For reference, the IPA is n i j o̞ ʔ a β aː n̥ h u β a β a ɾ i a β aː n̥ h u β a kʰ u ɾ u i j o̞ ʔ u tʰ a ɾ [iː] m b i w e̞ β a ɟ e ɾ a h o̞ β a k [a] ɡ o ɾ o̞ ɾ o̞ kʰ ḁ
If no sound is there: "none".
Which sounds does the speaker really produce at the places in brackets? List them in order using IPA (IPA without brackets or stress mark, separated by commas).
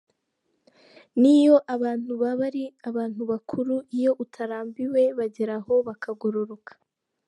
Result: aː, a